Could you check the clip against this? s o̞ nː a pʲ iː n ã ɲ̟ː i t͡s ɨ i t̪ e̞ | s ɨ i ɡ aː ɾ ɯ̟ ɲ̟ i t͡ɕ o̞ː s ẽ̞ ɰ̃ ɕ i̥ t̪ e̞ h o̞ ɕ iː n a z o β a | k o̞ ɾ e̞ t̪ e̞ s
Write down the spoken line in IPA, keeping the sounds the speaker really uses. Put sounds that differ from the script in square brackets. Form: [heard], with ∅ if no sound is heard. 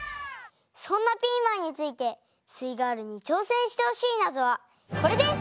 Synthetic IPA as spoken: s [õ̞] nː a pʲ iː [m] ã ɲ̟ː i t͡s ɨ i t̪ e̞ | s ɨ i ɡ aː ɾ ɯ̟ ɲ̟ i t͡ɕ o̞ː s ẽ̞ ɰ̃ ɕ i̥ t̪ e̞ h o̞ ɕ iː n a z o β a | k o̞ ɾ e̞ [d̪] e̞ s